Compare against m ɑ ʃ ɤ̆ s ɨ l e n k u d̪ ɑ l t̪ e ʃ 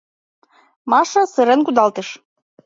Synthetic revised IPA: m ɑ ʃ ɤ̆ s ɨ ɾ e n k u d̪ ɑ l t̪ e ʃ